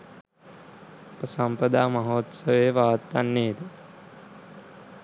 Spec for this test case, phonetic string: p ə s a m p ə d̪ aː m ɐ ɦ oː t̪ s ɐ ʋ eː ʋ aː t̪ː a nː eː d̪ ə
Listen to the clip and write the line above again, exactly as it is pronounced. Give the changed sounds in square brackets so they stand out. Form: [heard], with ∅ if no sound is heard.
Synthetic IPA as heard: p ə s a m p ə d̪ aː m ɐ ɦ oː t̪ s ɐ ʋ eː ʋ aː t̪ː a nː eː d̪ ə